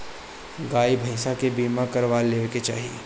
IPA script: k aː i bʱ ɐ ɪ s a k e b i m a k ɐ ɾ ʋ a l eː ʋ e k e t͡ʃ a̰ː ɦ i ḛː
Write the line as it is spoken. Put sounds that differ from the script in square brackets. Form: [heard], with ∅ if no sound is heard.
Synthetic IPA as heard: [ɡ] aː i bʱ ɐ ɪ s a k e b [iː] m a k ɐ ɾ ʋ a l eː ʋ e k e t͡ʃ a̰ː ɦ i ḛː